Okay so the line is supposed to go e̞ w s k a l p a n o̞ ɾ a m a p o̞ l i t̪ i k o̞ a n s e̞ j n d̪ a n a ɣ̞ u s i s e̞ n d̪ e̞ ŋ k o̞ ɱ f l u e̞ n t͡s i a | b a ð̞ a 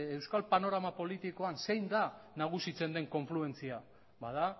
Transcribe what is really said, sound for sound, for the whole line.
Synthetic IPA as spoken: e̞ w s k a l p a n o̞ ɾ a m a p o̞ l i t̪ i k o̞ a n s e̞ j n d̪ a n a ɣ̞ u s i t͡s e̞ n d̪ e̞ ŋ k o̞ ɱ f l u e̞ n t͡s i a | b a ð̞ a